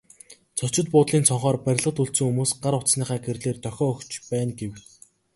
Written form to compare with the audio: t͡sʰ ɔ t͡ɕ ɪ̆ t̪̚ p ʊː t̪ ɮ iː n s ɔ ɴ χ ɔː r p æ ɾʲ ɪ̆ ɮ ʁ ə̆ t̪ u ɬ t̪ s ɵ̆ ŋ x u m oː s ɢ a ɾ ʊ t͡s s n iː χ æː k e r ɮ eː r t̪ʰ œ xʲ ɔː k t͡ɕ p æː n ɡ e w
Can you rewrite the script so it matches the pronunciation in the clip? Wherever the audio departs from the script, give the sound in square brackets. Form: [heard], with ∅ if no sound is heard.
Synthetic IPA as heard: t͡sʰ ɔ t͡ɕ ɪ̆ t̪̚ p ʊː t̪ ɮ iː n s ɔ ɴ χ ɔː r p æ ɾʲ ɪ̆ ɮ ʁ ə̆ t̪ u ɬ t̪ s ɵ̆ ŋ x u m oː s ɢ a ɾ ʊ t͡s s n iː χ æː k e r ɮ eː r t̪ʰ œ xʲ ɔː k t͡ɕ p æː n ɡ e w